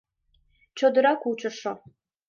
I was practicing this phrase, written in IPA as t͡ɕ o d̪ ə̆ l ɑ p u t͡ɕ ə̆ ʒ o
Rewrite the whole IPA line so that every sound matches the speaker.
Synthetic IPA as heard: t͡ɕ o d̪ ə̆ ɾ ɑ k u t͡ɕ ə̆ ʃ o